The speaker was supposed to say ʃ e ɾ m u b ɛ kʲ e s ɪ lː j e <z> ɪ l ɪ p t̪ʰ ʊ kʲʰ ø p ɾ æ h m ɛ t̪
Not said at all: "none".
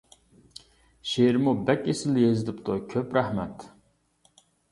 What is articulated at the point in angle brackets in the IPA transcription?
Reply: z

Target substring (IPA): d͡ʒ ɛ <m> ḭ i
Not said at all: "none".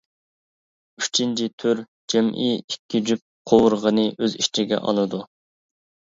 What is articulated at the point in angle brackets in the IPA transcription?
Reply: m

